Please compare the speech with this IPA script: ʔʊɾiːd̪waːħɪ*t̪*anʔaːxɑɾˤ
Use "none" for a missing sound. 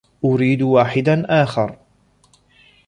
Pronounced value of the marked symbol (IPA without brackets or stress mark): d̪